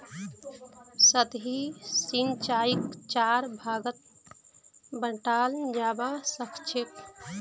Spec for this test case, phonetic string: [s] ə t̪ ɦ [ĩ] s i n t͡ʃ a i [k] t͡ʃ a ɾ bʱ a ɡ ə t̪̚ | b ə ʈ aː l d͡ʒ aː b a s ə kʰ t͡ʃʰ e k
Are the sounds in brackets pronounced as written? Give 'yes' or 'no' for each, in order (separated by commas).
yes, no, yes